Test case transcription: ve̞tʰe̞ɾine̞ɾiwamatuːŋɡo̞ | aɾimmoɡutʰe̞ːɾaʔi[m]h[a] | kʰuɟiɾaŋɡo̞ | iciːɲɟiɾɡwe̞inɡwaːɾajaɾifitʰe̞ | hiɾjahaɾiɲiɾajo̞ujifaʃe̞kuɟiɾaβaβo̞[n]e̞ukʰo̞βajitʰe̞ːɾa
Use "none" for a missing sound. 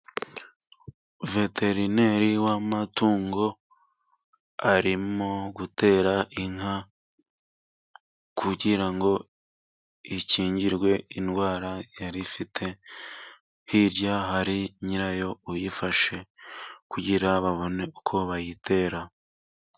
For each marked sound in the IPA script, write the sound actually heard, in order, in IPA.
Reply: ŋ, a, n

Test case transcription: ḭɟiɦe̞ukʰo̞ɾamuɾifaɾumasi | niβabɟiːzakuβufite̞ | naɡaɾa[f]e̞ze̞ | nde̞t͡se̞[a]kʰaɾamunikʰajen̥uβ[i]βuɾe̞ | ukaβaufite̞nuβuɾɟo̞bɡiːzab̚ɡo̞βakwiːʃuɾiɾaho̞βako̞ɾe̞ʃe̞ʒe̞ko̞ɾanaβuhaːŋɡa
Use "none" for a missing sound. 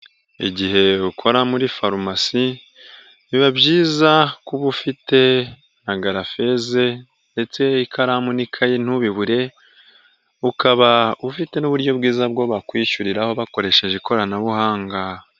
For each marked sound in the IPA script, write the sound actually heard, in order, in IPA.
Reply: f, i, i

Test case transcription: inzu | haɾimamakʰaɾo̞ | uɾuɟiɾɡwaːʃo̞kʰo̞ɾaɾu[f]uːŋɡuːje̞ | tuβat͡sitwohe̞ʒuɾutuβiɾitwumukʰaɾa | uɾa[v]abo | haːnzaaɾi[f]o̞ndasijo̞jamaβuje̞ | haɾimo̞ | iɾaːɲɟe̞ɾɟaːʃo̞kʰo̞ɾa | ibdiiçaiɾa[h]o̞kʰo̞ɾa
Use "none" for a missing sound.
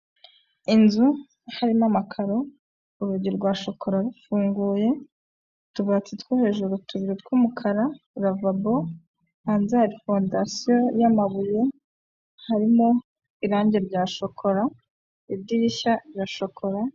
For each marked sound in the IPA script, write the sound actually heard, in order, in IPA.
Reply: f, v, f, ʃ

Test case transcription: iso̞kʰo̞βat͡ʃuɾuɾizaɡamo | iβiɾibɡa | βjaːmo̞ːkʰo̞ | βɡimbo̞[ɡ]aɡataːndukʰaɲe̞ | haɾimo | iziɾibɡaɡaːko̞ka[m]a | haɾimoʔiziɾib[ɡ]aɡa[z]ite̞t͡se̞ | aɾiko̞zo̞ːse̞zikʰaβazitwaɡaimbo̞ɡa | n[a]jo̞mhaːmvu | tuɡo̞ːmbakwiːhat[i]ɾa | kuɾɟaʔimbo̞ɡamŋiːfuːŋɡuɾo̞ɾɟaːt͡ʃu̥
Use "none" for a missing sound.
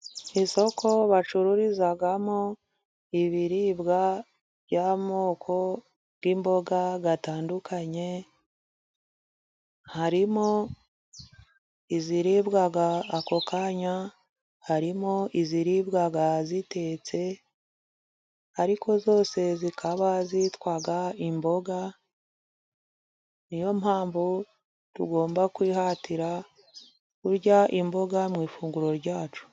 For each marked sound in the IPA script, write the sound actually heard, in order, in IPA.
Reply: ɡ, ɲ, ɡ, z, i, i

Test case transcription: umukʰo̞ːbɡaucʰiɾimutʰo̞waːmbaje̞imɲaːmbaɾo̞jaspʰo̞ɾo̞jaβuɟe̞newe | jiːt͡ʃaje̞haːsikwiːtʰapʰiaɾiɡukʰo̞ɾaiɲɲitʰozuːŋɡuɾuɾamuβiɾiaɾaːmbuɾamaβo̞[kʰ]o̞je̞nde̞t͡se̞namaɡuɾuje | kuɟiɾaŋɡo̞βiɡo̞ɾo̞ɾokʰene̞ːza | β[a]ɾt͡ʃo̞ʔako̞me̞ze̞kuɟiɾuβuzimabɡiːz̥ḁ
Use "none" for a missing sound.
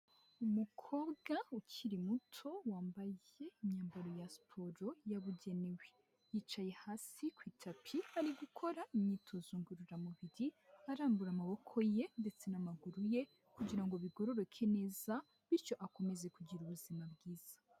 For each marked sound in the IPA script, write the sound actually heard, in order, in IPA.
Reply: kʰ, i

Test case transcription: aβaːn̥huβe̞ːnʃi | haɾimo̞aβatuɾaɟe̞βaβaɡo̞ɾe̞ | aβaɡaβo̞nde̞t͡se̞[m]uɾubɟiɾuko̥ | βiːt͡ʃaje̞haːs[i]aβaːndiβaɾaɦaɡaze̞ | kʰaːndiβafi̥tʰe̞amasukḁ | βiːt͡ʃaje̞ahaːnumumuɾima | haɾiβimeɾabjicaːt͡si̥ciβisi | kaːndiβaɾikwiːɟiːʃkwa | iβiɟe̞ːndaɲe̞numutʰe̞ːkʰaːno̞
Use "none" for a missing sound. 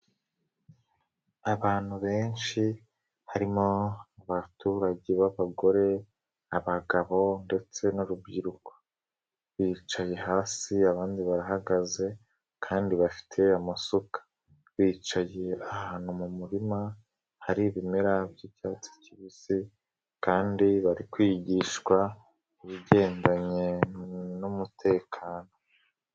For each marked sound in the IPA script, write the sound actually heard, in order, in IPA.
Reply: n, i

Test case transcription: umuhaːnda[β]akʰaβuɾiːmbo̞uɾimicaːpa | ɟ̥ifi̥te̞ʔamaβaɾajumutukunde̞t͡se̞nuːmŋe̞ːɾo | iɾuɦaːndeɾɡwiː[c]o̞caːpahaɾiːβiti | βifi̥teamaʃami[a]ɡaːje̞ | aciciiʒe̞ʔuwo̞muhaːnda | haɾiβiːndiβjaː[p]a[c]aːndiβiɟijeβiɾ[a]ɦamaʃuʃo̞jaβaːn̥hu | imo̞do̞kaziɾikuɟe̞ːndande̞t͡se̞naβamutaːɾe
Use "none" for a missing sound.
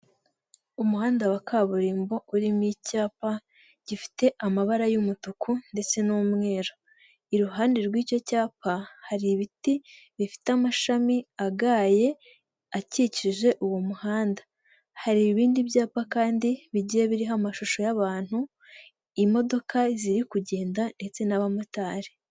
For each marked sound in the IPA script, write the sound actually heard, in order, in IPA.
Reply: w, c, a, p, k, i

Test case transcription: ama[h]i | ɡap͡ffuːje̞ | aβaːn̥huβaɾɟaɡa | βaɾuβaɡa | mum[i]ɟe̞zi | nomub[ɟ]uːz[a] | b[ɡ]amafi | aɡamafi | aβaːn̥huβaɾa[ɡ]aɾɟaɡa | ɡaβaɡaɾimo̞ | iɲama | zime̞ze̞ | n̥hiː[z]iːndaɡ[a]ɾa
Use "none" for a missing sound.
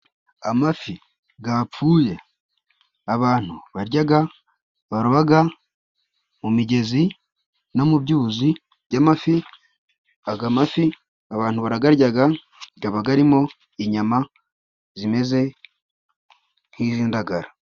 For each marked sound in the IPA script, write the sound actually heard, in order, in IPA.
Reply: f, i, ɟ, i, ɟ, ɡ, z, a

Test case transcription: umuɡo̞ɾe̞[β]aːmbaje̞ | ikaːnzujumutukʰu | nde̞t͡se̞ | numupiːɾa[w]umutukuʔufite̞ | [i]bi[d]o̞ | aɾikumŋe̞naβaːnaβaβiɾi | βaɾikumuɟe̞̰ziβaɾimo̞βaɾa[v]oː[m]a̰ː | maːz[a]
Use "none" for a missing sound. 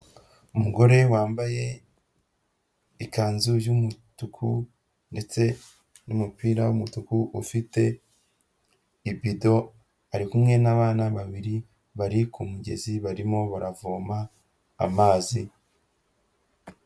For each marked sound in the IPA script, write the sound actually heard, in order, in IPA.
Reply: w, w, i, d, v, m, i

